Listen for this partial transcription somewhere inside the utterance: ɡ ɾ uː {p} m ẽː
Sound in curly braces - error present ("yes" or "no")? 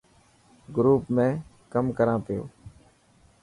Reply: no